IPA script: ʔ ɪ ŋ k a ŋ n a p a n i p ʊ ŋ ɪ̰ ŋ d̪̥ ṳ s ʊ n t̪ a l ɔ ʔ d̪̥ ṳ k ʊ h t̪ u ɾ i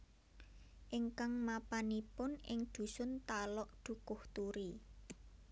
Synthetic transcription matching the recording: ʔ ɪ ŋ k a ŋ m a p a n i p ʊ n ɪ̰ ŋ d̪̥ ṳ s ʊ n t̪ a l ɔ ʔ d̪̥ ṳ k ʊ h t̪ u ɾ i